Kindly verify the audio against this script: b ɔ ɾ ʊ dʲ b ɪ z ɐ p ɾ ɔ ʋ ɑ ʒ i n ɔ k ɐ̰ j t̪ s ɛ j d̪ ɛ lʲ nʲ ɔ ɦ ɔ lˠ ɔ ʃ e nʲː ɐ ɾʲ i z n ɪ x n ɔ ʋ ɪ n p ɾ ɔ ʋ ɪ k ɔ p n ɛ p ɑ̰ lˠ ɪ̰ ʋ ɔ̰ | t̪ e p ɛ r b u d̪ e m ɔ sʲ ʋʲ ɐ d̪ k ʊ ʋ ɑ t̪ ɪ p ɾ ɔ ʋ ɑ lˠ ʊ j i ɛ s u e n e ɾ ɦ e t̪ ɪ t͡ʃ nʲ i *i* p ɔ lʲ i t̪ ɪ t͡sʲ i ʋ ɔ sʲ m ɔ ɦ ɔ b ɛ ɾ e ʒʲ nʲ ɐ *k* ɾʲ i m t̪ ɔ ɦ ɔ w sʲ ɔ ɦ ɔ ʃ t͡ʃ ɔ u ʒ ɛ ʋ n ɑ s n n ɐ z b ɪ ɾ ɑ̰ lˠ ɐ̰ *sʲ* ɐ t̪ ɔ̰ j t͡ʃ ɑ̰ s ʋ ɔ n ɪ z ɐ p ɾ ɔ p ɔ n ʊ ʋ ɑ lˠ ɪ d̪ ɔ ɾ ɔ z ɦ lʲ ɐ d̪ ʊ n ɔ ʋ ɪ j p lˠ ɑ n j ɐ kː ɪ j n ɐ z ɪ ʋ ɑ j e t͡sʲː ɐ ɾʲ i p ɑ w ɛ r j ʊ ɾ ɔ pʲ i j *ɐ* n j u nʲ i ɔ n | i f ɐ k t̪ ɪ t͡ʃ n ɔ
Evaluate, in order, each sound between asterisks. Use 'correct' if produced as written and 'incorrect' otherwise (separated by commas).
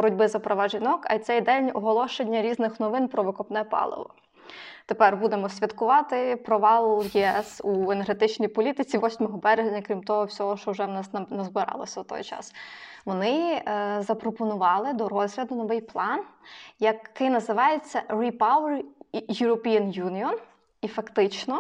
incorrect, correct, correct, correct